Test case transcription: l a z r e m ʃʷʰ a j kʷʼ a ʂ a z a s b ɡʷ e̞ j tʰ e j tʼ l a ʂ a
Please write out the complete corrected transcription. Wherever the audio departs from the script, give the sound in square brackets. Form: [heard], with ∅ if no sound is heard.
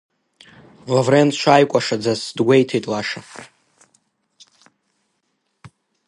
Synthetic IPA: l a [v] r e [n] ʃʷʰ a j kʷʼ a ʂ a [d͡z] a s [d] ɡʷ e̞ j tʰ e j tʼ l a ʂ a